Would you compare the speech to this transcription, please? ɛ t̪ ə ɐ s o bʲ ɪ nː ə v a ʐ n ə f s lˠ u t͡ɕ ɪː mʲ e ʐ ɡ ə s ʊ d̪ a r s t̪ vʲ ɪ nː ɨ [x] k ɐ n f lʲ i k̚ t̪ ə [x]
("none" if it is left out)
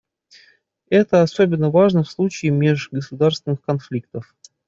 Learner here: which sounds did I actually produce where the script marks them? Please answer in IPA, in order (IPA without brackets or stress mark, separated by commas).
x, f